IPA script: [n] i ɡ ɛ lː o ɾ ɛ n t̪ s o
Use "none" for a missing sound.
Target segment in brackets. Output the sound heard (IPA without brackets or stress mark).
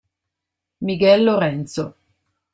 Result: m